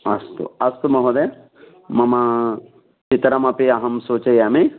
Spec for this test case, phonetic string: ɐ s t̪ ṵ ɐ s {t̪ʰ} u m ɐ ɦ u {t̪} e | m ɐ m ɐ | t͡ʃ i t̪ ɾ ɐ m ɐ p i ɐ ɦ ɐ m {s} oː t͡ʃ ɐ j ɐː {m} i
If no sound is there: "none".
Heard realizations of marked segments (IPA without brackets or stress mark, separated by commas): t̪, d̪, s, m